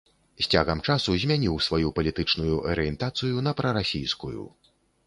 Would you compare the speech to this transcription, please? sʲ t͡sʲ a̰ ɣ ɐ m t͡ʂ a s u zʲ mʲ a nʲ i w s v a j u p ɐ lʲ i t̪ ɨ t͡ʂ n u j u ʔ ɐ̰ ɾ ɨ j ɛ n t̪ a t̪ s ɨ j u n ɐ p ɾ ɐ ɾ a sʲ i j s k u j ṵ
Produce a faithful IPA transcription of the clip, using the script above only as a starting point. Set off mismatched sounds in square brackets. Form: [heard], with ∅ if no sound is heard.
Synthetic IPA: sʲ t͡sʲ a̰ ɣ ɐ m t͡ʂ a s u zʲ mʲ a nʲ i w s v a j u p ɐ lʲ i t̪ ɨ t͡ʂ n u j u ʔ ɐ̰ ɾ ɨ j ɛ n t̪ a t̪ s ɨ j u n ɐ p ɾ ɐ ɾ a sʲ i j s k u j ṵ

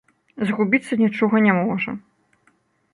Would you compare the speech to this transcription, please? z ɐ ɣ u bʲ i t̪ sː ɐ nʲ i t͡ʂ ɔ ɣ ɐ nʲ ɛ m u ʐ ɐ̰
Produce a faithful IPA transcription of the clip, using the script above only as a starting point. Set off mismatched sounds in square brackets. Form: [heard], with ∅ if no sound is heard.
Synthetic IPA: z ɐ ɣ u bʲ i t̪ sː ɐ nʲ i t͡ʂ ɔ ɣ ɐ nʲ ɛ m [ɔ] ʐ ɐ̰

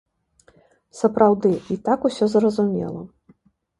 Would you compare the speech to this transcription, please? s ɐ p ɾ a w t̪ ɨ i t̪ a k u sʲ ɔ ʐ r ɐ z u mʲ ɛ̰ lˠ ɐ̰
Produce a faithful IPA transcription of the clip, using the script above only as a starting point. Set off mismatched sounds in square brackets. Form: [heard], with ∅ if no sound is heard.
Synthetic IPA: s ɐ p ɾ a w [d̪] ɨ i t̪ a k u sʲ ɔ [z] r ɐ z u mʲ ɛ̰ lˠ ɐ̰

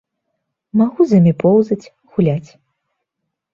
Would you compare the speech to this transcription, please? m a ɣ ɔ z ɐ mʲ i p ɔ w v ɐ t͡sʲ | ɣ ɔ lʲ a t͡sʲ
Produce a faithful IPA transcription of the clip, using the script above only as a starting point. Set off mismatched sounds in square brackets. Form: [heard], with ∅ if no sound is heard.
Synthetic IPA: m a ɣ [u] z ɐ mʲ i p ɔ w [z] ɐ t͡sʲ | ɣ [u] lʲ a t͡sʲ

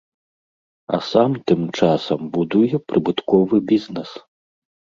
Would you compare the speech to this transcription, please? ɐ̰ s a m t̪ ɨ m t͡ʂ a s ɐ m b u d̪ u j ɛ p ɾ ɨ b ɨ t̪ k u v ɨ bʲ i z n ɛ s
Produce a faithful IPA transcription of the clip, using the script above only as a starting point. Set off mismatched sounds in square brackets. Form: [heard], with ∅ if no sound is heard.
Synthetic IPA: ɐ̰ s a m t̪ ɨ m t͡ʂ a s ɐ m b u d̪ u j ɛ p ɾ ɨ b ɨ t̪ k [ɔ] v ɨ bʲ i z n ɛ s

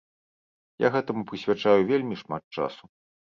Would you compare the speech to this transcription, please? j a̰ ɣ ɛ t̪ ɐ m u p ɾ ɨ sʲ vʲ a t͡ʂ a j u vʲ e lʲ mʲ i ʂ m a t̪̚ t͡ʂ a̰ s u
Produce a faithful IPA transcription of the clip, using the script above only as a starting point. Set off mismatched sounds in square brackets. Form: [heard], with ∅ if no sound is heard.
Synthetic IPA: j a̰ ɣ ɛ t̪ ɐ m u p ɾ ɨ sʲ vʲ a t͡ʂ a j u vʲ e lʲ mʲ i ʂ m a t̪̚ t͡ʂ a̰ s u

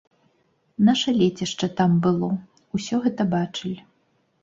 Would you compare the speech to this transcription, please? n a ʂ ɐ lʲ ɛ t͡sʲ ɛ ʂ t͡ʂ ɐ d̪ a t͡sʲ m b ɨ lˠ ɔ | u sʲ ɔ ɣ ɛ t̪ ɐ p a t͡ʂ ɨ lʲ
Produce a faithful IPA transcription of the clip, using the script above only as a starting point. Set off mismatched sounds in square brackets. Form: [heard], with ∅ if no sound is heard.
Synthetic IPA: n a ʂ ɐ lʲ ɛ t͡sʲ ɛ ʂ t͡ʂ ɐ [t̪] a [∅] m b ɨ lˠ ɔ | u sʲ ɔ ɣ ɛ t̪ ɐ [b] a t͡ʂ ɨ lʲ

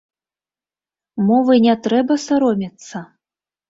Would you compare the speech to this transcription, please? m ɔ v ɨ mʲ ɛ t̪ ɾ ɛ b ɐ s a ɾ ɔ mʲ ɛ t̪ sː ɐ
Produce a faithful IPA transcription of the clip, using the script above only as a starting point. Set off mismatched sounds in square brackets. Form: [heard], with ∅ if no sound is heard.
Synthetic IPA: m ɔ v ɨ [nʲ] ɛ t̪ ɾ ɛ b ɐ s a ɾ ɔ mʲ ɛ t̪ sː ɐ

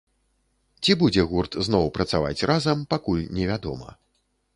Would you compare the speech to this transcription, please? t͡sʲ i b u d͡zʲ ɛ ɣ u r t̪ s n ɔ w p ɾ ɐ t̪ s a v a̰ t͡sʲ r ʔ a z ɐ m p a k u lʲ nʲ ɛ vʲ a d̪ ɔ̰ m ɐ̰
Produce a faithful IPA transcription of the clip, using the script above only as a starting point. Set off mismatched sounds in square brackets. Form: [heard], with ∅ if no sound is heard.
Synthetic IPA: t͡sʲ i b u d͡zʲ ɛ ɣ u r t̪ [z] n ɔ w p ɾ ɐ t̪ s a v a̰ t͡sʲ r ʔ a z ɐ m p a k u lʲ nʲ ɛ vʲ a d̪ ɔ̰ m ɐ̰

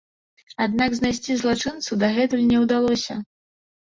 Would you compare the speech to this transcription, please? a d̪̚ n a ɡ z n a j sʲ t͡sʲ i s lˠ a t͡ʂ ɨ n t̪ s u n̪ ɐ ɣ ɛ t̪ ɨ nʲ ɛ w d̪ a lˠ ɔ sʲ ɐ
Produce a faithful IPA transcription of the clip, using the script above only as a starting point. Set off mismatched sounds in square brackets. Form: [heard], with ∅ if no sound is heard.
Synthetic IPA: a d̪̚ n a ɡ z n a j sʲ t͡sʲ i [z] lˠ a t͡ʂ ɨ n t̪ s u [d̪] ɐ ɣ ɛ t̪ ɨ nʲ ɛ w d̪ a lˠ ɔ sʲ ɐ

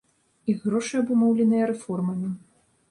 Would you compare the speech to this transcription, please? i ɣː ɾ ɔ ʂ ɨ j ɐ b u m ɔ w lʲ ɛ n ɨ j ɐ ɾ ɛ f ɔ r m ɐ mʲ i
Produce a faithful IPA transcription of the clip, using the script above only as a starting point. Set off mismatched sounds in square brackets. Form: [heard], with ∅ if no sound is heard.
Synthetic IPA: i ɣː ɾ ɔ ʂ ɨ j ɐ b u m ɔ w lʲ ɛ n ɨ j ɐ ɾ ɛ f ɔ r m ɐ mʲ i

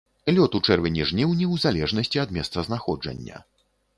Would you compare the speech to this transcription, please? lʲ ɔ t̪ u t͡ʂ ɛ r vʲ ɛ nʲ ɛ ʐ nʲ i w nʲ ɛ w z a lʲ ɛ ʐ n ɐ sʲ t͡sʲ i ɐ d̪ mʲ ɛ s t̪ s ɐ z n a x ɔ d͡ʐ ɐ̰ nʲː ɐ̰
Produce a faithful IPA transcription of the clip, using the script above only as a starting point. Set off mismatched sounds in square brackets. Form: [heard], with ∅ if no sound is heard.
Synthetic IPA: lʲ ɔ t̪ u t͡ʂ ɛ r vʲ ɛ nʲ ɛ ʐ nʲ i w nʲ ɛ w z a lʲ ɛ ʐ n ɐ sʲ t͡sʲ i ɐ d̪ mʲ ɛ s t̪ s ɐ z n a x ɔ d͡ʐ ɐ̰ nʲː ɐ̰

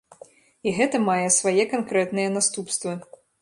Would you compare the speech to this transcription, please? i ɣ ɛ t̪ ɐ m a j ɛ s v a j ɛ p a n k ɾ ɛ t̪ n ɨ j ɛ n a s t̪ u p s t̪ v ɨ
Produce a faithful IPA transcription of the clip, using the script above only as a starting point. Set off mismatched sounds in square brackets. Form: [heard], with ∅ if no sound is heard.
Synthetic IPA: i ɣ ɛ t̪ ɐ m a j ɛ s v a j ɛ [k] a n k ɾ ɛ t̪ n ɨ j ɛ n a s t̪ u p s t̪ v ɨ

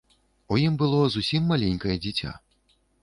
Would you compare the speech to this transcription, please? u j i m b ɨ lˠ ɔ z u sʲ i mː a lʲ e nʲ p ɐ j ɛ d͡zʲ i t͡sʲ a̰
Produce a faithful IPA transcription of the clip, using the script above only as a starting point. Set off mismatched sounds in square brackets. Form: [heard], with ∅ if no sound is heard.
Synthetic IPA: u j i m b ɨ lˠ ɔ z u sʲ i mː a lʲ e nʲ [k] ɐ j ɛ d͡zʲ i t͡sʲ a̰

